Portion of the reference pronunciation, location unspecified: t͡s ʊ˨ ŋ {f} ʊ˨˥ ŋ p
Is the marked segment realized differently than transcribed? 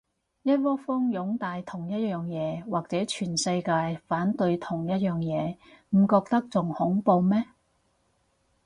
yes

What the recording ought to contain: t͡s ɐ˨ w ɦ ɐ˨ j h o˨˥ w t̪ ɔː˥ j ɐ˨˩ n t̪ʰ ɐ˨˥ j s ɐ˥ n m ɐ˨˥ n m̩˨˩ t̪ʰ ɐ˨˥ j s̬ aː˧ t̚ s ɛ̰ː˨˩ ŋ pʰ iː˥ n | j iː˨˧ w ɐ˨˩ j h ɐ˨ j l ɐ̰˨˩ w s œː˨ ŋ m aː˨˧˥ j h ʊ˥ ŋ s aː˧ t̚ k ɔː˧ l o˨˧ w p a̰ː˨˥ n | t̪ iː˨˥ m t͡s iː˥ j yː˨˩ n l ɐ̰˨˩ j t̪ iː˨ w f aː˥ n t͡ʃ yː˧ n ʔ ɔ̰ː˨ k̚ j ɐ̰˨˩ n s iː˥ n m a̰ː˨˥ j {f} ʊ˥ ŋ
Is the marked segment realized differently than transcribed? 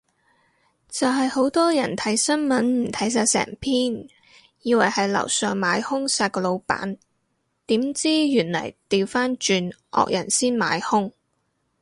yes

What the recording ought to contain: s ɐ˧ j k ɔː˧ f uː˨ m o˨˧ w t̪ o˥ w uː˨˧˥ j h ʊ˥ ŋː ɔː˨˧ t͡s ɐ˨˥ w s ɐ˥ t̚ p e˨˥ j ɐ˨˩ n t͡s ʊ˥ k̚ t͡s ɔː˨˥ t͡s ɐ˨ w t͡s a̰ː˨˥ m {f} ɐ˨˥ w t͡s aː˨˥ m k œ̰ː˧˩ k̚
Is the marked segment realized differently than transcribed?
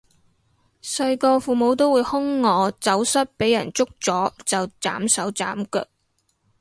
yes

